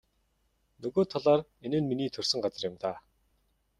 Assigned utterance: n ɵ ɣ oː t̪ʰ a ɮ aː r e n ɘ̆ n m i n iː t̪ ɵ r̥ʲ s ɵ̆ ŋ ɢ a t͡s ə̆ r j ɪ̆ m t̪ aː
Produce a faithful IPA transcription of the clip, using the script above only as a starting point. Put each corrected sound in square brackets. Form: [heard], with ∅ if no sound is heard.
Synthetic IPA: n ɵ ɣ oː t̪ʰ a ɮ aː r e n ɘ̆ n m i n iː [t̪ʰ] ɵ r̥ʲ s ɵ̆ ŋ ɢ a t͡s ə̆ r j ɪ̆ m t̪ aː